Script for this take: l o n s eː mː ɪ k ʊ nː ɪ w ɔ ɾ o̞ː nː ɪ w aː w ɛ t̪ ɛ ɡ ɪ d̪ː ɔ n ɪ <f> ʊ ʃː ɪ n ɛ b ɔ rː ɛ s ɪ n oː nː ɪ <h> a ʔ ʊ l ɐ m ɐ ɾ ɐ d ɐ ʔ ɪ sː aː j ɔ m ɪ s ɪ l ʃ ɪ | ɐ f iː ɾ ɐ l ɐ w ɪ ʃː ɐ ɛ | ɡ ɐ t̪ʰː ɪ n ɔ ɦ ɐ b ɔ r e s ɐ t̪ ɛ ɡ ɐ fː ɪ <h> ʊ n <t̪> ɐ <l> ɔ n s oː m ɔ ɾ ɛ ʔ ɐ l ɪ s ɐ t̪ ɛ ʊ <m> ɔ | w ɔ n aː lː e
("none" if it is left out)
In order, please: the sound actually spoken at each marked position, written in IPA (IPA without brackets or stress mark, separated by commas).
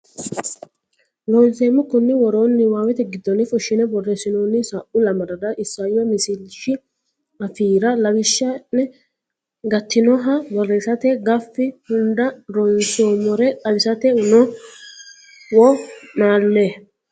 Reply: f, s, h, d̪, ɾ, n